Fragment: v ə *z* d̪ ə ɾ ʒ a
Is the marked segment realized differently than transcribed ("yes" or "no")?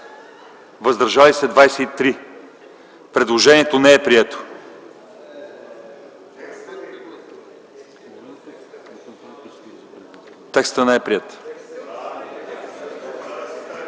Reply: no